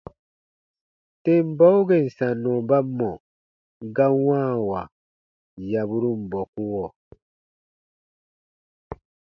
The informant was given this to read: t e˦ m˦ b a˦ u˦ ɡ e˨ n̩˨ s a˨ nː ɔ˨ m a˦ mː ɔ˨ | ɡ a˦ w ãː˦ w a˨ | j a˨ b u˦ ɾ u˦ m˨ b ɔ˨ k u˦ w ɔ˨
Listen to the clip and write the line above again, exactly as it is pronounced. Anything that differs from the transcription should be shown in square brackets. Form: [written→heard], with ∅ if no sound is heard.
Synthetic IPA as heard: t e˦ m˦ b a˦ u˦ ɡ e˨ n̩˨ s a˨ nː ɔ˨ [m→b] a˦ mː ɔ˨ | ɡ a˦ w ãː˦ w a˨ | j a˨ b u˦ ɾ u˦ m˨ b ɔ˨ k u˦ w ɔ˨